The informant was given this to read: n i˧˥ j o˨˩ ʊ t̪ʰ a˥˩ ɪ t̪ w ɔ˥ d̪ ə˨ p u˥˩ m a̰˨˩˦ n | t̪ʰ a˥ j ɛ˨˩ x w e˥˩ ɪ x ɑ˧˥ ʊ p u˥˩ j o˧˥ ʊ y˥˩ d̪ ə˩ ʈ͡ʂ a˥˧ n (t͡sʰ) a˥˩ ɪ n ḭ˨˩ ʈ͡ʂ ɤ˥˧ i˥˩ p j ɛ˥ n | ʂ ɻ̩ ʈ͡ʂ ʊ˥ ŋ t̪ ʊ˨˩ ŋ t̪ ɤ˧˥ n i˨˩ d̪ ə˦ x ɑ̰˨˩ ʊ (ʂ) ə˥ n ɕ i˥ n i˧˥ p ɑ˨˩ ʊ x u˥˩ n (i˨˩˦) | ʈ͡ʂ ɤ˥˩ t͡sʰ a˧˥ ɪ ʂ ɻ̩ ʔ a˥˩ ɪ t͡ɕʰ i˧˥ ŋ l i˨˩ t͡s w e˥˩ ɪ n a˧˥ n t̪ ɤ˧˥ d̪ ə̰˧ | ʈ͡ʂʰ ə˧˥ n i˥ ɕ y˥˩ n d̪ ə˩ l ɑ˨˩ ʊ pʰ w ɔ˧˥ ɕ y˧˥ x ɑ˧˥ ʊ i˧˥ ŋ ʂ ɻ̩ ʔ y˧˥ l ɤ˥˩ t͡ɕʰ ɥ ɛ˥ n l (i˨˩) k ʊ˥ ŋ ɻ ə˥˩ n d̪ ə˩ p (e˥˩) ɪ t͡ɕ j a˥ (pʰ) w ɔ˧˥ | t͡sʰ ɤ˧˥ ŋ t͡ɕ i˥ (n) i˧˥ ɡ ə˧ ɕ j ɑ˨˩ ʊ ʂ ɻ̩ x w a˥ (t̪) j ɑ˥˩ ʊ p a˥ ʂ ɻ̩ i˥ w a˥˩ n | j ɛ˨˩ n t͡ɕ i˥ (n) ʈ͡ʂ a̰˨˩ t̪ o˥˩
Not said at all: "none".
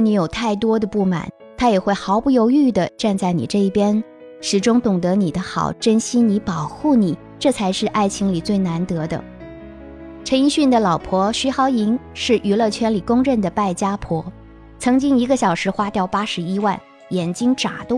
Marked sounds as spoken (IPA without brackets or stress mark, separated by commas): t͡s, ʈ͡ʂ, i˨˩˦, i˨˩, a˥˩, pʰ, ŋ, t̪, ŋ